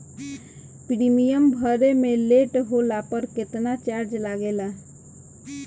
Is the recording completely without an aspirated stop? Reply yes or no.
yes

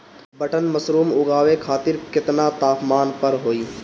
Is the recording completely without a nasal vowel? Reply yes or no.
yes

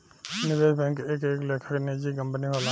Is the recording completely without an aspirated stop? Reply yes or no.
no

